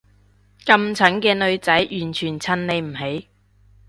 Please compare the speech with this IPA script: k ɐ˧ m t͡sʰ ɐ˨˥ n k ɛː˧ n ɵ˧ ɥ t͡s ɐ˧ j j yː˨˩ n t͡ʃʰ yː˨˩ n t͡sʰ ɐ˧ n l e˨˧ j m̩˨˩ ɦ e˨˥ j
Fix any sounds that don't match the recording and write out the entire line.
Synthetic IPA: k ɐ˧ m t͡sʰ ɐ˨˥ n k ɛː˧ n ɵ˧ ɥ t͡s ɐ˨˥ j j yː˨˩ n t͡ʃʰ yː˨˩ n t͡sʰ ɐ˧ n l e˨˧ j m̩˨˩ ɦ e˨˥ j